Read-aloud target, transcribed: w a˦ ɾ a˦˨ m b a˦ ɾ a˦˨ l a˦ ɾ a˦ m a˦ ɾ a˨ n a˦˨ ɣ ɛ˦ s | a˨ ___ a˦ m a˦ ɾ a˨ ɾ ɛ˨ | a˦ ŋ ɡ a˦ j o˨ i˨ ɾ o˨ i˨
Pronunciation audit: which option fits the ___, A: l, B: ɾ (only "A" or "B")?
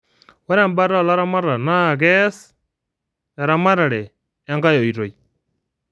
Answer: B